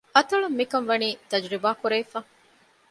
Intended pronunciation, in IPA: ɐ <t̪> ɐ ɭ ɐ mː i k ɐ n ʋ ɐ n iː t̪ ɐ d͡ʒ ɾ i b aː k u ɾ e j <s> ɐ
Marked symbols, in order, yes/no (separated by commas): yes, no